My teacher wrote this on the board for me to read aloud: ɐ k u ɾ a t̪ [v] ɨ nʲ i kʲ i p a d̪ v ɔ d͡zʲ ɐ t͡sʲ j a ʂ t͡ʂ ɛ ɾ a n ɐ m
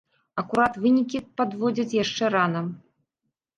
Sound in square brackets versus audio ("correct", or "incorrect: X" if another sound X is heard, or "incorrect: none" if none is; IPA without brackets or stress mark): correct